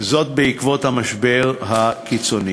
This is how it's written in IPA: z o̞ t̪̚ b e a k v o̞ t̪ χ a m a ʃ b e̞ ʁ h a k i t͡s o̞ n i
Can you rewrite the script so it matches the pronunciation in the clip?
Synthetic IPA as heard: z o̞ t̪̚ b e i k v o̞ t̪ h a m a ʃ b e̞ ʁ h a k i t͡s o̞ n i